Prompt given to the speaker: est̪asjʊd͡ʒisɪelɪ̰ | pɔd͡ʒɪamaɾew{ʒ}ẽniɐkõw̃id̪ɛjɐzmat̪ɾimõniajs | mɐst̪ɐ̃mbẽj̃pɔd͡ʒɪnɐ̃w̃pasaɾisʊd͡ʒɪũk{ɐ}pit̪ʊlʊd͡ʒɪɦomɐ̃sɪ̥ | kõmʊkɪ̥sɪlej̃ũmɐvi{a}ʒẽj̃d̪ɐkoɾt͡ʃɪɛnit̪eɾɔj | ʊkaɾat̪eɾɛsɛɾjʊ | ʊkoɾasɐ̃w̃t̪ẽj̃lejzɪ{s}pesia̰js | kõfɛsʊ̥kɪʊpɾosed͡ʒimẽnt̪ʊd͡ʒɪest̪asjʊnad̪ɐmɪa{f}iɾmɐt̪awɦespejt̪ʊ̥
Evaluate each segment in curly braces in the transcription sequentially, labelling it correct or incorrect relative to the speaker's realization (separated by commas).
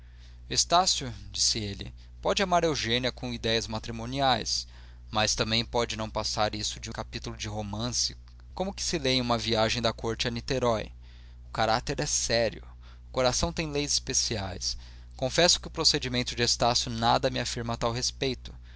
correct, incorrect, correct, correct, correct